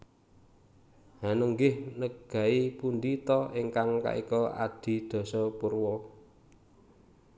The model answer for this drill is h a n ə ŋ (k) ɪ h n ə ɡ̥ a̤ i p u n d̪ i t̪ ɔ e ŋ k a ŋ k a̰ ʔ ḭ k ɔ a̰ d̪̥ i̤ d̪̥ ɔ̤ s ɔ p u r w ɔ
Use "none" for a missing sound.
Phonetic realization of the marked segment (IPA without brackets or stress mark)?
ɡ